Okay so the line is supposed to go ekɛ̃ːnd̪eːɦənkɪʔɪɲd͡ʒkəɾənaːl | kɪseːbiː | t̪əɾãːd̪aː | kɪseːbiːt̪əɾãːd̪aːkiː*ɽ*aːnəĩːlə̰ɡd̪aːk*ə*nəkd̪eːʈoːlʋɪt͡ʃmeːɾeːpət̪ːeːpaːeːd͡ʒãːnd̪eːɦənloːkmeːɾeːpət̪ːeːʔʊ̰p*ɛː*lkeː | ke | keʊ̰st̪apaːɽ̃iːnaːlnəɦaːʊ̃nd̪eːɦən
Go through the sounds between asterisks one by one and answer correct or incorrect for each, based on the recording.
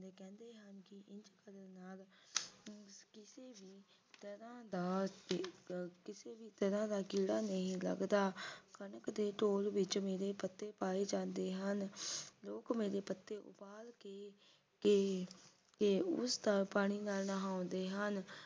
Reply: correct, correct, incorrect

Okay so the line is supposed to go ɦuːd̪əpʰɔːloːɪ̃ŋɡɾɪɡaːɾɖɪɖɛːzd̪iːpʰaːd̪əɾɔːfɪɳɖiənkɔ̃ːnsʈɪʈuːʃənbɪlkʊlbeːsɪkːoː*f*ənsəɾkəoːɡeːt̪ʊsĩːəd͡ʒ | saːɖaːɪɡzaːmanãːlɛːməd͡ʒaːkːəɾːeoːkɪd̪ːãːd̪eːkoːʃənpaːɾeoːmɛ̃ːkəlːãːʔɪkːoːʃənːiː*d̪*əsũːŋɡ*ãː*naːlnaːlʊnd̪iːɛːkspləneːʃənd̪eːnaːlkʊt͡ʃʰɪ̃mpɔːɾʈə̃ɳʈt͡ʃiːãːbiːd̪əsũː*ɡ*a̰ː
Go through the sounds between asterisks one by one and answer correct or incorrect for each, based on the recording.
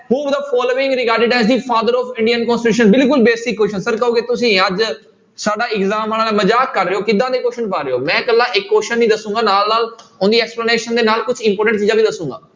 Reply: incorrect, correct, incorrect, correct

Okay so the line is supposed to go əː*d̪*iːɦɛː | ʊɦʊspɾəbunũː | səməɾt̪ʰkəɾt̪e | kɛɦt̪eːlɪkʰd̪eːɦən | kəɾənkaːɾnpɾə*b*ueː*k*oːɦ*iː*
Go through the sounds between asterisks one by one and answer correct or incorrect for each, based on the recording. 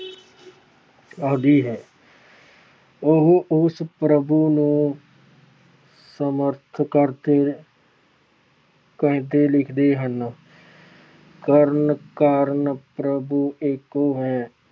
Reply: correct, correct, correct, incorrect

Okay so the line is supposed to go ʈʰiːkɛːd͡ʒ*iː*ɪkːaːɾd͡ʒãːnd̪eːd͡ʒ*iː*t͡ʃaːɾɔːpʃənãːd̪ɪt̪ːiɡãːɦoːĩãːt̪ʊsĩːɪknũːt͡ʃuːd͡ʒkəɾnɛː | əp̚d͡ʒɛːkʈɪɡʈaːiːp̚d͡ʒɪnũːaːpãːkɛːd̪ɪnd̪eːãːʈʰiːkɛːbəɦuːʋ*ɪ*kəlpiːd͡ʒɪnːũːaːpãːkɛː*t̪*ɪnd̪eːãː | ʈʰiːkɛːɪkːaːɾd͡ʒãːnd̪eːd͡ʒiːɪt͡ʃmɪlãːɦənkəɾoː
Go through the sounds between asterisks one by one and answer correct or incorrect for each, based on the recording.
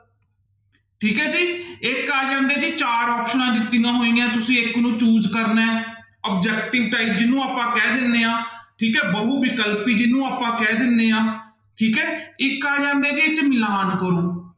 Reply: correct, correct, correct, incorrect

